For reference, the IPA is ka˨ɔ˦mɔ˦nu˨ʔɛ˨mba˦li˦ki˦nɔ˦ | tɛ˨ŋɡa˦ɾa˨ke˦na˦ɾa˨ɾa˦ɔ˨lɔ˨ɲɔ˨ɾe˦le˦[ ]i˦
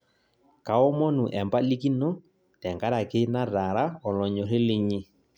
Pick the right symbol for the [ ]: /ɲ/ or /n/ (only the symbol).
ɲ